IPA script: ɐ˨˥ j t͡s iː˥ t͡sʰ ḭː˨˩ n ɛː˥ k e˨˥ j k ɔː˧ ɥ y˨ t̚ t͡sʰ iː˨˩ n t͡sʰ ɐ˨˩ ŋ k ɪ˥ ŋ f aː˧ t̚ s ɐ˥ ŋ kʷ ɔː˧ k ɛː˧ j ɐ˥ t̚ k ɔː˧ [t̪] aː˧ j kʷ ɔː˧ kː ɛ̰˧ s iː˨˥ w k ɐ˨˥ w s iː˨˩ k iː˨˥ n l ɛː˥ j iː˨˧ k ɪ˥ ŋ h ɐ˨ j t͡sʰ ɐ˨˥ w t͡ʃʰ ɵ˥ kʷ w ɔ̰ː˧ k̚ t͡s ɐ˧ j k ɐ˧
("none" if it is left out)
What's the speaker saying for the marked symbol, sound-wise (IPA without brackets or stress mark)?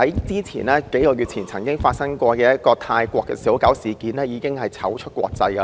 t̪ʰ